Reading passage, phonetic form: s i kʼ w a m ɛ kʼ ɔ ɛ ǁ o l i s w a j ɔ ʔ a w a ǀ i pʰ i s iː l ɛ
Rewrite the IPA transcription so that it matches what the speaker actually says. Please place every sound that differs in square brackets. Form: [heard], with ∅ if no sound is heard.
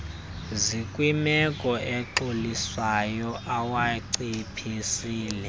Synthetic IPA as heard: [z] i kʼ w [i] m ɛ kʼ ɔ ɛ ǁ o l i s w a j ɔ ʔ a w a ǀ i pʰ i s iː l ɛ